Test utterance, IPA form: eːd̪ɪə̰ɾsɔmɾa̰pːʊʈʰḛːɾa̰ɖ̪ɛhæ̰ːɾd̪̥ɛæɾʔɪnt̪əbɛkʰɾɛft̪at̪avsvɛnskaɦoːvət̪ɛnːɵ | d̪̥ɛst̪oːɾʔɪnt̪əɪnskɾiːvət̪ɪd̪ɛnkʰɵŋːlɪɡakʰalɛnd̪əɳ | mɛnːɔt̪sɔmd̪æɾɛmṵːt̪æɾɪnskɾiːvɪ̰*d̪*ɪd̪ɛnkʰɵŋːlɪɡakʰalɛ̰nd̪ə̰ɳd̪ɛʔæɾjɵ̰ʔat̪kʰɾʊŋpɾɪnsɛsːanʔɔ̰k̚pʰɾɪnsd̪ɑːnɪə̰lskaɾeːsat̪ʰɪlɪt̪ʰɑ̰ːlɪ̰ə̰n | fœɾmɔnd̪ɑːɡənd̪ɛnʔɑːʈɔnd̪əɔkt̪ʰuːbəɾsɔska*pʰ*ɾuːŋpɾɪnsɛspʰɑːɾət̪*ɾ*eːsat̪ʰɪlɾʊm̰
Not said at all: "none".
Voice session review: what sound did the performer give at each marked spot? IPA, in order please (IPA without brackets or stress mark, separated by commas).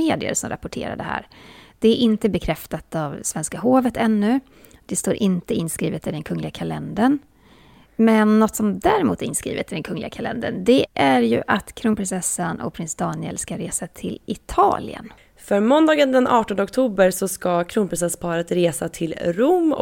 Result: t̪, kʰ, ɾ